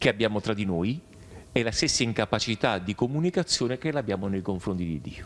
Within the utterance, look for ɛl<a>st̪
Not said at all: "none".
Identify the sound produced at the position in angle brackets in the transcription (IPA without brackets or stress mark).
a